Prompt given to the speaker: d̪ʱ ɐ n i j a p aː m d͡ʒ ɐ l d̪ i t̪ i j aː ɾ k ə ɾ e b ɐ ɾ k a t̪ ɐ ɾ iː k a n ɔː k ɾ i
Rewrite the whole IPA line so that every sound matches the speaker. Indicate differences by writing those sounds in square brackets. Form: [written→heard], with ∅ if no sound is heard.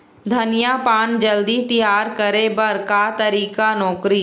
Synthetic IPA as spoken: d̪ʱ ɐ n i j a p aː [m→n] d͡ʒ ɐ l d̪ i t̪ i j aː ɾ k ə ɾ e b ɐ ɾ k a t̪ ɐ ɾ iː k a n ɔː k ɾ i

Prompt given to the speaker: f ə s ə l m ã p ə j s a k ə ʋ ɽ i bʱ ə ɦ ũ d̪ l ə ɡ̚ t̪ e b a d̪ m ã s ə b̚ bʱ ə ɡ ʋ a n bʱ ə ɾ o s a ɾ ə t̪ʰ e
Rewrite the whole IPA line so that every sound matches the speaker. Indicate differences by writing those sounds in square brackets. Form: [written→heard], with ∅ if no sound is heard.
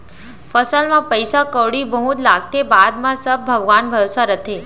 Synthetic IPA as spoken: f ə s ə l m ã p ə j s a k ə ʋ ɽ i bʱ ə ɦ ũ [d̪→t̪] l [ə→a] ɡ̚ t̪ e b a d̪ m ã s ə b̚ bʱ ə ɡ ʋ a n bʱ ə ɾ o s a ɾ ə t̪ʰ e

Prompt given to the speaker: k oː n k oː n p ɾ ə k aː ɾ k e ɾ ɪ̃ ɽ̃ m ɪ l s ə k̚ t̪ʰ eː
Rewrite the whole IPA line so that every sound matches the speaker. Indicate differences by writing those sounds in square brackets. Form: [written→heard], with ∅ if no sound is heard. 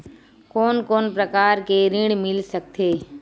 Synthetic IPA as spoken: k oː n k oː n p ɾ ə k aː ɾ k e ɾ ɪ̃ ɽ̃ m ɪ l s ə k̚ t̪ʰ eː

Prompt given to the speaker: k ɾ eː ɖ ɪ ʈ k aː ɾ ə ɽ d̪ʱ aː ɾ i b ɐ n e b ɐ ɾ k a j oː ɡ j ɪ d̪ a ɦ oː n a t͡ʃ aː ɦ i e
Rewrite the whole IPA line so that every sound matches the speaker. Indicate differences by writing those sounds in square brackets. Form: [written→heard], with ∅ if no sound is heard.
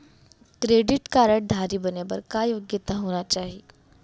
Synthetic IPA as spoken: k ɾ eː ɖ ɪ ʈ k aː ɾ ə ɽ d̪ʱ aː ɾ i b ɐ n e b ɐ ɾ k a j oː ɡ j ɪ [d̪→t̪] a ɦ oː n a t͡ʃ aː ɦ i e

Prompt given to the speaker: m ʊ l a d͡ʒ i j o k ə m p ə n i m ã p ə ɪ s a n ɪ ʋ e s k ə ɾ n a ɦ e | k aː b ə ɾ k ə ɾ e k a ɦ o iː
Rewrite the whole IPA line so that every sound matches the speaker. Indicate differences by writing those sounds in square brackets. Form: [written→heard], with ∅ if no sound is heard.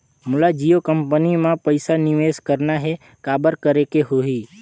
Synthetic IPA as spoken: m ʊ l a d͡ʒ i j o k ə m p ə n i m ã p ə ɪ s a n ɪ ʋ e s k ə ɾ n a ɦ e | k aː b ə ɾ k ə ɾ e k [a→e] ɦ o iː

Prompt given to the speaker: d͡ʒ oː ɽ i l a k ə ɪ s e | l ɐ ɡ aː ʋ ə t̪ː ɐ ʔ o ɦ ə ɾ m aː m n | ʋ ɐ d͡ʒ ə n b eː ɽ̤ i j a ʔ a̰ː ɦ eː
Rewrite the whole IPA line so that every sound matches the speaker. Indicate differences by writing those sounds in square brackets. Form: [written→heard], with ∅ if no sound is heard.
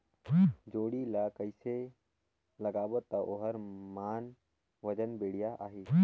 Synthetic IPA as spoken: d͡ʒ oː ɽ i l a k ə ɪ s e | l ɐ ɡ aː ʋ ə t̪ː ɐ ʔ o ɦ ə ɾ m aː [m→∅] n | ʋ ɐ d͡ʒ ə n b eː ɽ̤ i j a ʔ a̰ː ɦ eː

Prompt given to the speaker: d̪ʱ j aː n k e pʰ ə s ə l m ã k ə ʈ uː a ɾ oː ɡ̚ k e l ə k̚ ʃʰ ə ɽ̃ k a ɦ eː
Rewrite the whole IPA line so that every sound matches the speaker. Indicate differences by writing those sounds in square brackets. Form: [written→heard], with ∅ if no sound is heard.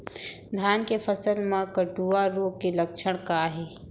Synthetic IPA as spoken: d̪ʱ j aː n k e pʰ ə s ə l m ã k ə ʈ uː a ɾ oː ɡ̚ k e l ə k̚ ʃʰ ə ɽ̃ k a ɦ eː

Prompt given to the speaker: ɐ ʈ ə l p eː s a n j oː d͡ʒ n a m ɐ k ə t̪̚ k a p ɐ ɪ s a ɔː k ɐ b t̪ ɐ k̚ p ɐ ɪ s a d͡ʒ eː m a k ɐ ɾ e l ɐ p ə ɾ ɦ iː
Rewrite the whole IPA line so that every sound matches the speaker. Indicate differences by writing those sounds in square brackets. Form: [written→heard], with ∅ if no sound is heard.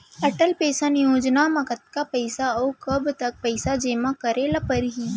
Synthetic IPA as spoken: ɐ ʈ ə l p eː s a n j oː d͡ʒ n a m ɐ k ə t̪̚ k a p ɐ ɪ s a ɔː k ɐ b t̪ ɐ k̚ p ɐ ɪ s a d͡ʒ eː m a k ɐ ɾ e l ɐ p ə ɾ ɦ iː

